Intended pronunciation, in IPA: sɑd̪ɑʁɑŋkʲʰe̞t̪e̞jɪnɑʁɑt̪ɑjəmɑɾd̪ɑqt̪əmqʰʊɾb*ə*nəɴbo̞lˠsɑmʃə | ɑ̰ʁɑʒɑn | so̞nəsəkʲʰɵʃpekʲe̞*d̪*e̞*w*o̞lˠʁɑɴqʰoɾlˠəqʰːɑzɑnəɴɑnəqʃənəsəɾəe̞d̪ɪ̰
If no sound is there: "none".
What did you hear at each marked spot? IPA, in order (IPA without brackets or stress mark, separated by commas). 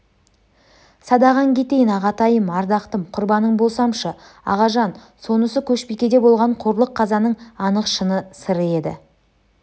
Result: ɑ, d̪, b